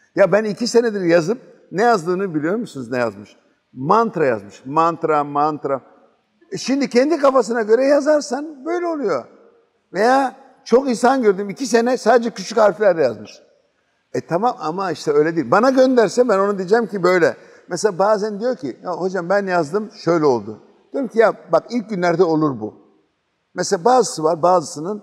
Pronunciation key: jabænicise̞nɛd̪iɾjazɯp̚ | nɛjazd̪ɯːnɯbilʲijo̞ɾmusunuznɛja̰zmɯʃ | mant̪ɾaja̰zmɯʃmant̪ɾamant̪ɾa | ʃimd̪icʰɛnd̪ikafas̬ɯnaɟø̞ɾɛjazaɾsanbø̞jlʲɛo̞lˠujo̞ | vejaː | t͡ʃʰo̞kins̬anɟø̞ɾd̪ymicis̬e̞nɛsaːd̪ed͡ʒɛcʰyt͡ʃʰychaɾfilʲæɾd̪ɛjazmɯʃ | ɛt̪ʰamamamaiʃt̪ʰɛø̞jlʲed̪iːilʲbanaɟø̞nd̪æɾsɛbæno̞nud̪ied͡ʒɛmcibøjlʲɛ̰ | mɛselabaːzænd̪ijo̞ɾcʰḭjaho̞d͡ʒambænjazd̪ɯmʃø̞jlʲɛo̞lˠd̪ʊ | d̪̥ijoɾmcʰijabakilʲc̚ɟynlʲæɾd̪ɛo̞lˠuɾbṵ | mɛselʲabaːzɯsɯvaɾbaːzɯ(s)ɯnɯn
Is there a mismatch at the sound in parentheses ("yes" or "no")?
no